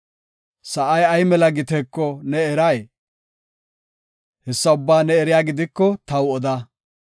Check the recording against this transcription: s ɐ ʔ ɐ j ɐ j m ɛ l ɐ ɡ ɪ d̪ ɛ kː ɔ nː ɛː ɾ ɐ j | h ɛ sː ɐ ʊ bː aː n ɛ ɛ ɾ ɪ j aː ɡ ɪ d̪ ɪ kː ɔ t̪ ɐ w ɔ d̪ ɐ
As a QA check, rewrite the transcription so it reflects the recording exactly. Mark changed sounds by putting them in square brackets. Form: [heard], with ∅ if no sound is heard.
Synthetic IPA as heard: s ɐ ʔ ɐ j ɐ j m ɛ l ɐ ɡ ɪ [t̪] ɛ kː ɔ [n] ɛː ɾ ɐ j | h ɛ sː ɐ ʊ bː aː n ɛ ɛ ɾ ɪ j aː ɡ ɪ d̪ ɪ kː ɔ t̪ ɐ w ɔ d̪ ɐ